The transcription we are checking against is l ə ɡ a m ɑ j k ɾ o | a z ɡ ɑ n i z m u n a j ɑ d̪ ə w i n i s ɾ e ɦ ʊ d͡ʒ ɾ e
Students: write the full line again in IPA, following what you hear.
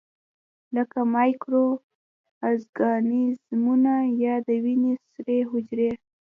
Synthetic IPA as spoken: l ə k a m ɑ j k ɾ o | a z ɡ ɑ n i z m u n a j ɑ d̪ ə w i n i s ɾ e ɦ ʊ d͡ʒ ɾ e